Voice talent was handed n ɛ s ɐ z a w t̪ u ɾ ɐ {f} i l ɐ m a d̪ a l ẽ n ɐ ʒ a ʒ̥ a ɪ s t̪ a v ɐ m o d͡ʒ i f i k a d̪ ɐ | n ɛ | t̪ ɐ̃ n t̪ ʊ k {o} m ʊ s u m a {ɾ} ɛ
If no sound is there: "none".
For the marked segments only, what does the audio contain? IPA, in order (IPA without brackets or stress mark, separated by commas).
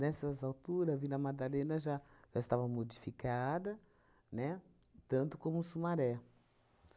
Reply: v, õ, ɾ